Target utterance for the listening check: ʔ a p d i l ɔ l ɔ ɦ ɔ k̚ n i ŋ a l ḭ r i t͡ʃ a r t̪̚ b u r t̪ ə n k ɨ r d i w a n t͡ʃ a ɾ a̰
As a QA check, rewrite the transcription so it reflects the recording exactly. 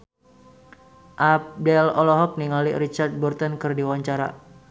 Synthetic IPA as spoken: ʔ a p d ɛ l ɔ l ɔ ɦ ɔ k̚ n i ŋ a l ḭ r i t͡ʃ a r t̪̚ b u r t̪ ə n k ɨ r d i w a ɲ t͡ʃ a ɾ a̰